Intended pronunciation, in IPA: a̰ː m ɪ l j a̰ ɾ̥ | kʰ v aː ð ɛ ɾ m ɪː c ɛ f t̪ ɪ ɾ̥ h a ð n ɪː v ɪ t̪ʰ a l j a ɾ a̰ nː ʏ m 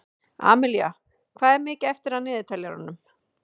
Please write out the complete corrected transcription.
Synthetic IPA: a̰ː m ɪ l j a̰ | kʰ v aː ð ɛ ɾ m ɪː c ɛ f t̪ ɪ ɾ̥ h a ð n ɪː ð ɪ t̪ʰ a l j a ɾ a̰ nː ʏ m